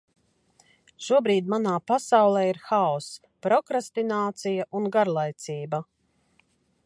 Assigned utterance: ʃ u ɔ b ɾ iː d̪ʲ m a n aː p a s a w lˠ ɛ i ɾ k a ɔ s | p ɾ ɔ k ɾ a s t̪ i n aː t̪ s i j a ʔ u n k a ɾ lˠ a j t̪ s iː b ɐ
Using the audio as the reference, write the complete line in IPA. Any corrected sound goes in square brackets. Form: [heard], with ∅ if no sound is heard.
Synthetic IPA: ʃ u ɔ b ɾ iː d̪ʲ m a n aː p a s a w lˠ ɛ i ɾ [x] a ɔ s | p ɾ ɔ k ɾ a s t̪ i n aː t̪ s i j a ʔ u n [ɡ] a ɾ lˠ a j t̪ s iː b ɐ